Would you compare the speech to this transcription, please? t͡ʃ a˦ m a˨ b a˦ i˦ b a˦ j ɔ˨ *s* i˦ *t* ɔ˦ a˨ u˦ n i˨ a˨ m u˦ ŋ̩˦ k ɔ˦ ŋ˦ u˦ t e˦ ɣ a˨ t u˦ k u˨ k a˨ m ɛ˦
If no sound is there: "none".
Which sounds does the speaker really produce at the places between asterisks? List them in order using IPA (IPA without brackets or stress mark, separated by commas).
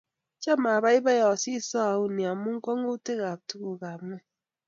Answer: s, s